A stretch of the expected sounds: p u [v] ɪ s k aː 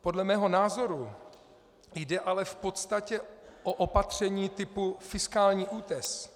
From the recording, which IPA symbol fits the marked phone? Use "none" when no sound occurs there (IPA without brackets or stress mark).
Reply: f